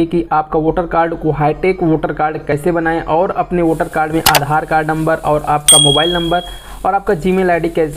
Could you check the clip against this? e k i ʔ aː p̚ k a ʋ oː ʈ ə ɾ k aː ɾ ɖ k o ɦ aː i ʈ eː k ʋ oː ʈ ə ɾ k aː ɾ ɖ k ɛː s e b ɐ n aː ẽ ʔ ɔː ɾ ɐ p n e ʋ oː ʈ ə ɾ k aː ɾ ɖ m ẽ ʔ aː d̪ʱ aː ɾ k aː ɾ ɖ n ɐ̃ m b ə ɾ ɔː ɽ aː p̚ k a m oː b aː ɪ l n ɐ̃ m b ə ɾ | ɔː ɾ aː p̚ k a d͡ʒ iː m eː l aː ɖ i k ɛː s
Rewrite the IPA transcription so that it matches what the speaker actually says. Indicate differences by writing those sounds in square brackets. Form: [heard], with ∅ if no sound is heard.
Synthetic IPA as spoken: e k i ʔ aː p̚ k a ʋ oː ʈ ə ɾ k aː ɾ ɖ k o ɦ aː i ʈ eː k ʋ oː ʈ ə ɾ k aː ɾ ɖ k ɛː s e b ɐ n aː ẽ ʔ ɔː ɾ ɐ p n e ʋ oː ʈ ə ɾ k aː ɾ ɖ m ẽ ʔ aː d̪ʱ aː ɾ k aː ɾ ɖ n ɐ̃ m b ə ɾ ɔː [ɾ] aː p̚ k a m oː b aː ɪ l n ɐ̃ m b ə ɾ | ɔː ɾ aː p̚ k a d͡ʒ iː m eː l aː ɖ i k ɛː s